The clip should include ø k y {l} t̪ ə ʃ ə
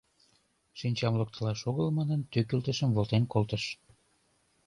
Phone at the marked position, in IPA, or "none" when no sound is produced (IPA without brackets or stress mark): l